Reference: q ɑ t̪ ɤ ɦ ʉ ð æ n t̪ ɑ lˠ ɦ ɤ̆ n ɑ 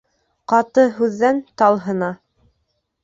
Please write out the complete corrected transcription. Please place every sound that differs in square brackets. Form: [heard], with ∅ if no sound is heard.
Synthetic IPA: q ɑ t̪ ɤ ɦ ʉ [ðː] æ n t̪ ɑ lˠ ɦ ɤ̆ n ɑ